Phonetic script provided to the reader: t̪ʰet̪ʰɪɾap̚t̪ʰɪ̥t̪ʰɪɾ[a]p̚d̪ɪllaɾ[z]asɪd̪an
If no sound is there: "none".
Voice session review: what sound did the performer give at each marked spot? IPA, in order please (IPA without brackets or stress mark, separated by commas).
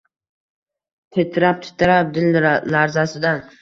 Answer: a, z